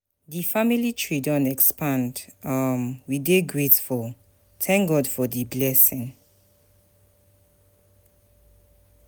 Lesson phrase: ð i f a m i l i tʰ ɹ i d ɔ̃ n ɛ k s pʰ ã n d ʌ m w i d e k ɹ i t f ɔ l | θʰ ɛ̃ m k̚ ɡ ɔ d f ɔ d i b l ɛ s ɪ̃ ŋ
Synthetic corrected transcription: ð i f a m i l i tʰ ɹ i d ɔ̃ n ɛ k s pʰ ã n d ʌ m w i d e ɡ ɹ e t f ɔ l | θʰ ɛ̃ ŋ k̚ ɡ ɔ d f ɔ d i b l ɛ s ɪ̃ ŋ